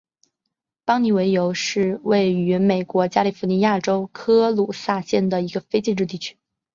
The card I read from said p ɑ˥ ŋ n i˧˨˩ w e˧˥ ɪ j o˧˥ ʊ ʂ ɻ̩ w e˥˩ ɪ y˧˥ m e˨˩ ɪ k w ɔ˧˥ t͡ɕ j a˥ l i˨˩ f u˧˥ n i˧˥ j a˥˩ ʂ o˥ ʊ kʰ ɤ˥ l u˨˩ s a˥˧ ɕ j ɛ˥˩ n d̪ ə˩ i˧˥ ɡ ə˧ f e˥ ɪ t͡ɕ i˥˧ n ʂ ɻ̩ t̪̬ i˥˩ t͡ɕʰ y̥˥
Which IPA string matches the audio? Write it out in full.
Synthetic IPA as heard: p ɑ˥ ŋ n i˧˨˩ w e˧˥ ɪ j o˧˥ ʊ ʂ ɻ̩ w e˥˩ ɪ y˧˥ m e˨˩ ɪ k w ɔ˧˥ t͡ɕ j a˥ l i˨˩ f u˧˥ n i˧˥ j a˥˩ ʈ͡ʂ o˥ ʊ kʰ ɤ˥ l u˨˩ s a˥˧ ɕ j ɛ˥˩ n d̪ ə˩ i˧˥ ɡ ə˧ f e˥ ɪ t͡ɕ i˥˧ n ʈ͡ʂ ɻ̩ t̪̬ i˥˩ t͡ɕʰ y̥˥